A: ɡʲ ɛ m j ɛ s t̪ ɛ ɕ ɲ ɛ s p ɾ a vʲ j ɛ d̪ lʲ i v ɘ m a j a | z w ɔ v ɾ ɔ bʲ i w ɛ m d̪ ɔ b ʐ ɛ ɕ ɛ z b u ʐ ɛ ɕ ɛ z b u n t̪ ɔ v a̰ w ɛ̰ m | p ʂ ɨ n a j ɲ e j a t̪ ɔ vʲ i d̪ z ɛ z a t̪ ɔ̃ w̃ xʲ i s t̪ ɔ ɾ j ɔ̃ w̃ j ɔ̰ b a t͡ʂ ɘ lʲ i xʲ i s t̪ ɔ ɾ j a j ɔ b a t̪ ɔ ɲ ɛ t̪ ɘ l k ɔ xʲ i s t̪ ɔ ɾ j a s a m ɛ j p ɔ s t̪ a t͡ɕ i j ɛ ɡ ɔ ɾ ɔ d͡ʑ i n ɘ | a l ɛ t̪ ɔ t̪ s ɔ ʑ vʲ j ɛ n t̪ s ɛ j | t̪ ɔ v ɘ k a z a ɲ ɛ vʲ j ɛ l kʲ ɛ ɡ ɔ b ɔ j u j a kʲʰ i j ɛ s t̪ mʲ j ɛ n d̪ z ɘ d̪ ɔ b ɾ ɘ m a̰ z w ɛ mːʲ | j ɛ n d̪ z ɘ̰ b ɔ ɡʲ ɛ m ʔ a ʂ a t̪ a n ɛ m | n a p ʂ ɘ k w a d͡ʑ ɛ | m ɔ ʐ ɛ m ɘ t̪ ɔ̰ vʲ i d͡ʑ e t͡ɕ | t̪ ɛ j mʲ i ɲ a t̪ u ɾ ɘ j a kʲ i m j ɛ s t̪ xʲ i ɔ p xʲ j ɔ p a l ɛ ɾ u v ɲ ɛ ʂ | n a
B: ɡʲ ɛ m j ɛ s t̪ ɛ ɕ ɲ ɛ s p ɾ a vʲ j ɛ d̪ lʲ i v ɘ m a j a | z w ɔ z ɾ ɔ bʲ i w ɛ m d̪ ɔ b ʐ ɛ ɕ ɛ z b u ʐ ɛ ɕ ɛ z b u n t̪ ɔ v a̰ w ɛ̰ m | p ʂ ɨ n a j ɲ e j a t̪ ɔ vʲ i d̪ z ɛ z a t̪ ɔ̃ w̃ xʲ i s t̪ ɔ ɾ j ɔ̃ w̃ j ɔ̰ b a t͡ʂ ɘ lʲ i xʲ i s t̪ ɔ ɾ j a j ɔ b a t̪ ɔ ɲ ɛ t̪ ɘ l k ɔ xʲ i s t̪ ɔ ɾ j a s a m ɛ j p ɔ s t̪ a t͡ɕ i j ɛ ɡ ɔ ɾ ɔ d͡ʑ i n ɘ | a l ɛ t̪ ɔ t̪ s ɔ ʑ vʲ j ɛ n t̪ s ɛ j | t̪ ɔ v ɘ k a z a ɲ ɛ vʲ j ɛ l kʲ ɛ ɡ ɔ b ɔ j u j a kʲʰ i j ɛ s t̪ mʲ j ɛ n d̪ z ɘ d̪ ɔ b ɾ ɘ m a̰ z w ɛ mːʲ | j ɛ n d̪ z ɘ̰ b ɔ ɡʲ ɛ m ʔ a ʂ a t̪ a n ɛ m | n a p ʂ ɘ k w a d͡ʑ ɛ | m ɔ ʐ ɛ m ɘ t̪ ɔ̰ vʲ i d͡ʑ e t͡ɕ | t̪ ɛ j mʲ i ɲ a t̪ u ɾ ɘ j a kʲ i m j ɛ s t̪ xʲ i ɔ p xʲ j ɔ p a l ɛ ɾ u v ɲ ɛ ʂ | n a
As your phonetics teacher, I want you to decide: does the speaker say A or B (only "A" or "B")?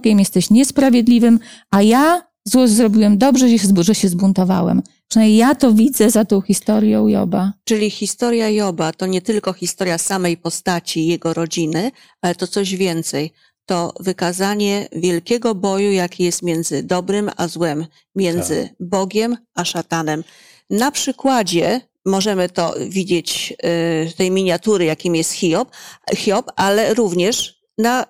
B